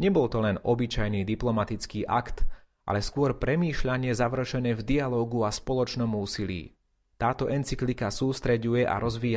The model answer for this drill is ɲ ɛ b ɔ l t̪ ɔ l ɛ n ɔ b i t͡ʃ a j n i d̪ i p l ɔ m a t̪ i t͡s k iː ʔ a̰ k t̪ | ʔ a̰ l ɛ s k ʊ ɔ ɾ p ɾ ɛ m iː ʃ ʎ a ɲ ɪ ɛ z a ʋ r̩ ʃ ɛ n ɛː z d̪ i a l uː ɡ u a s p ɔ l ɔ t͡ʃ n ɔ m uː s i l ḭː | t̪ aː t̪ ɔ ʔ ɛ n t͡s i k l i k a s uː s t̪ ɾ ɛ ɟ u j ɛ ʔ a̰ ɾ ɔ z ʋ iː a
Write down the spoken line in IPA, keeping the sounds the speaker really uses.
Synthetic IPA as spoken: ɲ ɛ b ɔ l t̪ ɔ l ɛ n ɔ b i t͡ʃ a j n i d̪ i p l ɔ m a t̪ i t͡s k iː ʔ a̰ k t̪ | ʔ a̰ l ɛ s k ʊ ɔ ɾ p ɾ ɛ m iː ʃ ʎ a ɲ ɪ ɛ z a ʋ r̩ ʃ ɛ n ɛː v d̪ i a l ɔː ɡ u a s p ɔ l ɔ t͡ʃ n ɔ m uː s i l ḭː | t̪ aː t̪ ɔ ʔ ɛ n t͡s i k l i k a s uː s t̪ ɾ ɛ ɟ u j ɛ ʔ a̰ ɾ ɔ z ʋ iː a